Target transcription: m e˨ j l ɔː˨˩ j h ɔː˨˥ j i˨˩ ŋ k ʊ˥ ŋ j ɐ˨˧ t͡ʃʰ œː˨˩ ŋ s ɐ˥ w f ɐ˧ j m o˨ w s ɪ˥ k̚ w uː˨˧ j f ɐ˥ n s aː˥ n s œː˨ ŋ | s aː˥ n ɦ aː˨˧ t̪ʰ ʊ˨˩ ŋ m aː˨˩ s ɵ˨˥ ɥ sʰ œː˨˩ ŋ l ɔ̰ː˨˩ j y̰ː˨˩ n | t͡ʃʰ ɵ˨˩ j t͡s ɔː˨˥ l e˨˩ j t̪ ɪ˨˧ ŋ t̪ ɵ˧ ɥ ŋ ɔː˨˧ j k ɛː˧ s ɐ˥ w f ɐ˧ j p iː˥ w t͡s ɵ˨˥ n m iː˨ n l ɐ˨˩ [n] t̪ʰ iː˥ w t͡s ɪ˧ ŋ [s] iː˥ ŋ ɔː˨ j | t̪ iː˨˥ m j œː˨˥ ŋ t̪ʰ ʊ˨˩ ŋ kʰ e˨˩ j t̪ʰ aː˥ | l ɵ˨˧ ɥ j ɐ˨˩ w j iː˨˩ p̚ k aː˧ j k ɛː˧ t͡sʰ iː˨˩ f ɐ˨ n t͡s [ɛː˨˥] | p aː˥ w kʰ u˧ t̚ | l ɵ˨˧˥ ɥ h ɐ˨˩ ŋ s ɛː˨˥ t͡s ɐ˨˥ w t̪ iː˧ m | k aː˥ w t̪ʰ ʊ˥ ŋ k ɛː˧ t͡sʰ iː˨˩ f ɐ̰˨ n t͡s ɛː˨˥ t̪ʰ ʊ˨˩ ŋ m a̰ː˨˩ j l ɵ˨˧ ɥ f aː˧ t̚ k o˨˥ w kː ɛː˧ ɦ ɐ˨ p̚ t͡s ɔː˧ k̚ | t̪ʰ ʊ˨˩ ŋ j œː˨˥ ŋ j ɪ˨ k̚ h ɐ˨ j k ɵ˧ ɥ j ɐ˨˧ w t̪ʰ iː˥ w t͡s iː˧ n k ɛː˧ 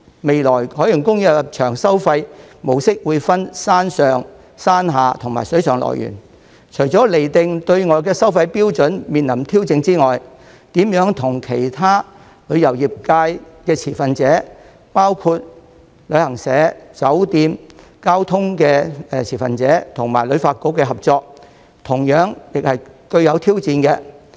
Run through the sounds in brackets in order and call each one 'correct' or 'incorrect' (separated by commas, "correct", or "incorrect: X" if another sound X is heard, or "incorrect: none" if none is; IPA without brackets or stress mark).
incorrect: m, incorrect: t͡s, correct